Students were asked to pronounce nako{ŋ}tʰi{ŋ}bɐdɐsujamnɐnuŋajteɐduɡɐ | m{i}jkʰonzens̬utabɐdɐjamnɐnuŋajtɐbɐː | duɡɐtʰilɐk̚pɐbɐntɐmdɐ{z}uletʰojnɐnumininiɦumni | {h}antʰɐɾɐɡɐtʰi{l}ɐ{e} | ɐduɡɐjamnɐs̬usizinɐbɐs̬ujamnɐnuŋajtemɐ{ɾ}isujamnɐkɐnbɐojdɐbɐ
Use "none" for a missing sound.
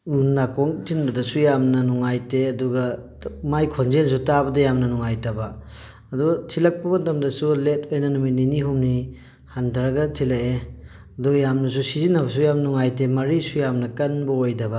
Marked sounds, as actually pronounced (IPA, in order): ŋ, n, a, s, h, l, e, ɾ

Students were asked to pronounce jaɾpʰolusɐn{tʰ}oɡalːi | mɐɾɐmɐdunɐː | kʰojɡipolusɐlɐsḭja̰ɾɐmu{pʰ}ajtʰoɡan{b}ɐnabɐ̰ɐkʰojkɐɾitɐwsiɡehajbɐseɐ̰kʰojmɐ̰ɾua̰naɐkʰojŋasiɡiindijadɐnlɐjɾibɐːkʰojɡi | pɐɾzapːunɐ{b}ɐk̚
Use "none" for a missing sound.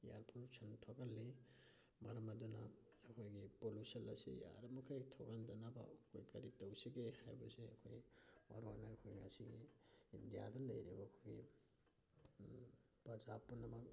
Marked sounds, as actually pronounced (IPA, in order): tʰ, kʰ, d, m

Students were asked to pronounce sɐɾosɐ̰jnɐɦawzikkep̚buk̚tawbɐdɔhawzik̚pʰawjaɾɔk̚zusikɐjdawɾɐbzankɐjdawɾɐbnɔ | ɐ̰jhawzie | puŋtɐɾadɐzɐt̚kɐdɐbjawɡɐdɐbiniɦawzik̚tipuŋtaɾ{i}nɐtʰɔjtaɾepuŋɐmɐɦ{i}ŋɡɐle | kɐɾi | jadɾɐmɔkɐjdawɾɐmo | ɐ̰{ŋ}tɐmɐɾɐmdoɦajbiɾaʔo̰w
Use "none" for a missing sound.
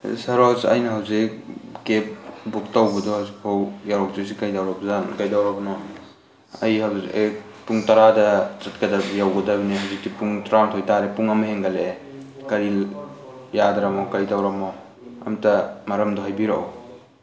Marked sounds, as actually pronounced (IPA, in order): a, e, m

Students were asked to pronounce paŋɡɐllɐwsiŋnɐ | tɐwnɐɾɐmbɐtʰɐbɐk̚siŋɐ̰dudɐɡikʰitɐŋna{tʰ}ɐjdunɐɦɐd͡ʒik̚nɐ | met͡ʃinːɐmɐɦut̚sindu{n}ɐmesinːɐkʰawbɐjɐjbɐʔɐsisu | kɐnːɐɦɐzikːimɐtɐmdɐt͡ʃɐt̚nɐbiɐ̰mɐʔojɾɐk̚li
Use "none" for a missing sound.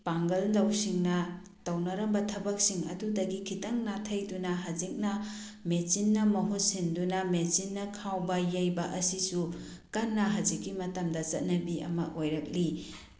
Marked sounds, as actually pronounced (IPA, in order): tʰ, n

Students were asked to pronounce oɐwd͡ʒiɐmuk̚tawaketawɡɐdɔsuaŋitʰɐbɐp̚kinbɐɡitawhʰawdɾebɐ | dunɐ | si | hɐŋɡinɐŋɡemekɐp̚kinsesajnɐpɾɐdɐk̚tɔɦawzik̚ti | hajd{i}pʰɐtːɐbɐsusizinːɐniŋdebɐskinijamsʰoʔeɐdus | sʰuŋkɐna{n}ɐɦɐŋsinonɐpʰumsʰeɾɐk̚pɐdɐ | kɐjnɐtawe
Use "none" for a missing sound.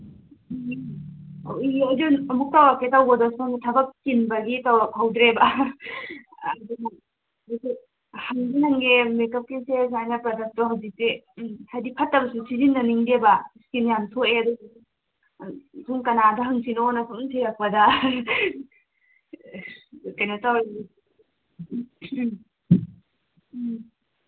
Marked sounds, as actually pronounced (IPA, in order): i, d

